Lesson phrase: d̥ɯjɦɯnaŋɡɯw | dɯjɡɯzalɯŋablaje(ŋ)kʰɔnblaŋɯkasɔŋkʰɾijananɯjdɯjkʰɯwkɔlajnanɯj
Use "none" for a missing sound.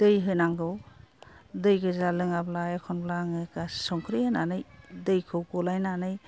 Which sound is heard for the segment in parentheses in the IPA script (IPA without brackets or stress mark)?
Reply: none